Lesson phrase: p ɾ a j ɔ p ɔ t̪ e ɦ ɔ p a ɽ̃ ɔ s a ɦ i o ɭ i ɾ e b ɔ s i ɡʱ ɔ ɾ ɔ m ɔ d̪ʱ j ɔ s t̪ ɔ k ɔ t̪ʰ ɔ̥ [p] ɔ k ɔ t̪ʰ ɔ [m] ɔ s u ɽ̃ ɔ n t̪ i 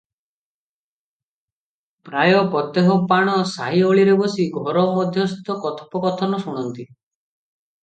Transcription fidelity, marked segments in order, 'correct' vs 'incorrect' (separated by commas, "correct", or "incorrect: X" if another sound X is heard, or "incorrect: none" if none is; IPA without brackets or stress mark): correct, incorrect: n